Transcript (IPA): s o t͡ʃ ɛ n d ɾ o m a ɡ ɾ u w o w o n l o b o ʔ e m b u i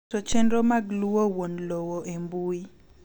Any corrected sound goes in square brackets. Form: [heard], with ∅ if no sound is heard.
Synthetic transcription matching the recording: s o t͡ʃ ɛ n d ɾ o m a ɡ [l] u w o w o n l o [w] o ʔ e m b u i